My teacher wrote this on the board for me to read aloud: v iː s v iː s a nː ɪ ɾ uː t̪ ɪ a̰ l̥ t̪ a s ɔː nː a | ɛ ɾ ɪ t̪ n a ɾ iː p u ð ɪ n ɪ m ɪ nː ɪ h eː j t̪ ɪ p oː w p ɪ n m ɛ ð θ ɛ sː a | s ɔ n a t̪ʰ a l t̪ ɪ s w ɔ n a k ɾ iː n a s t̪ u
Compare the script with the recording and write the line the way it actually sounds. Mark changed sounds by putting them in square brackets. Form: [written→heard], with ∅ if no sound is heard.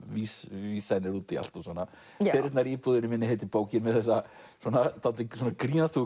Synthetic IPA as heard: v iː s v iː s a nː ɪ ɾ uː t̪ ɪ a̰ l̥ t̪ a s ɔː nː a | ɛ ɾ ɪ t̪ n a ɾ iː p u ð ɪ n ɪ m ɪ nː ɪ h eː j t̪ ɪ p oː w [p→c] ɪ n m ɛ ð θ ɛ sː a | s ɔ n a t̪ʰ a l t̪ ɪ s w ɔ n a k ɾ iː n a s t̪ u

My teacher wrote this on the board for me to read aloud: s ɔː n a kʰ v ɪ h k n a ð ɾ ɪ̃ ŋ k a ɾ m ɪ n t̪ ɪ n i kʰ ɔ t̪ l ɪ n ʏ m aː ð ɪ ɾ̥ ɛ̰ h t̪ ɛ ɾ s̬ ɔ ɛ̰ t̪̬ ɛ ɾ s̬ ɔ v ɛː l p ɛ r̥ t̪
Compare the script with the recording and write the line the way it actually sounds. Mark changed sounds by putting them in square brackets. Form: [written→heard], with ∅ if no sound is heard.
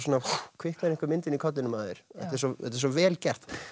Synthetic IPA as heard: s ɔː n a kʰ v ɪ h k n a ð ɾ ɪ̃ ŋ k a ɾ m ɪ n t̪ ɪ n i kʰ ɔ t̪ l ɪ n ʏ m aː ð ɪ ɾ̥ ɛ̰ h t̪ ɛ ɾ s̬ ɔ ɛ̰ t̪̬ ɛ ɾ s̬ ɔ v ɛː l [p→c] ɛ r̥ t̪

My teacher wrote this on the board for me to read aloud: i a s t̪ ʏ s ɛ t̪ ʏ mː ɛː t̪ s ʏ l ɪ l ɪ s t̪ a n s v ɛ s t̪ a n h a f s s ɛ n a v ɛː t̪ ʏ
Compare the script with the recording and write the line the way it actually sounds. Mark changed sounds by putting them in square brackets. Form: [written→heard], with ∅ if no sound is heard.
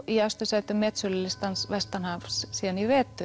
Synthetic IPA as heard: i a s t̪ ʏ s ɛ t̪ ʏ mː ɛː t̪ s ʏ l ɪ l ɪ s t̪ a n s v ɛ s t̪ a n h a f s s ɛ n [a→i] v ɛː t̪ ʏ

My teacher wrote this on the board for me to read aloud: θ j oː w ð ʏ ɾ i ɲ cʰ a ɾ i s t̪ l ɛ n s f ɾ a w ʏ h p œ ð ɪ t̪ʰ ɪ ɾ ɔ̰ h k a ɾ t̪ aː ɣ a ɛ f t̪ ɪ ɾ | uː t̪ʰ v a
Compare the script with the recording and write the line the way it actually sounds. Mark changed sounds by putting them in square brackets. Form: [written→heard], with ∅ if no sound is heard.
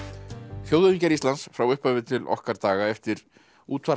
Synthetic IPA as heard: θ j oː w ð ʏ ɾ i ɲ [cʰ→c] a ɾ i s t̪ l [ɛ→a] n s f ɾ a w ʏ h p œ [ð→v] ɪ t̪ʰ ɪ [ɾ→l] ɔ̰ h k a ɾ t̪ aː ɣ a ɛ f t̪ ɪ ɾ | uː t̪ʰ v a

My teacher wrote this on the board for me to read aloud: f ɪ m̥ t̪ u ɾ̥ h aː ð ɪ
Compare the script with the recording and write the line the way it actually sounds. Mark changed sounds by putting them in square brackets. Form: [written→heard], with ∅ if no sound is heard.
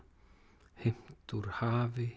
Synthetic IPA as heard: [f→h] ɪ m̥ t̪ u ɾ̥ h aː [ð→v] ɪ

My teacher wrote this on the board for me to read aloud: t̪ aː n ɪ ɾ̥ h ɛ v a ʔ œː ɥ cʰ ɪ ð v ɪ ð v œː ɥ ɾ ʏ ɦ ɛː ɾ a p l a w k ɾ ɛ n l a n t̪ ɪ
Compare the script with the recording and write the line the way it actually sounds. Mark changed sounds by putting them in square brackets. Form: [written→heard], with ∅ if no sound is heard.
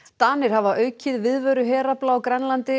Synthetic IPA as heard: t̪ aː n ɪ ɾ̥ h [ɛ→a] v a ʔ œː ɥ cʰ ɪ ð v ɪ ð v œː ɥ ɾ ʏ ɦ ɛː ɾ a p l a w k ɾ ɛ n l a n t̪ ɪ

